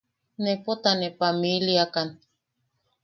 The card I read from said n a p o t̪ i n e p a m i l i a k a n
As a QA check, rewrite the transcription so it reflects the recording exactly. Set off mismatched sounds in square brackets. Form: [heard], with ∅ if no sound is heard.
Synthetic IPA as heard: n [e] p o t̪ [a] n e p a m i l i a k a n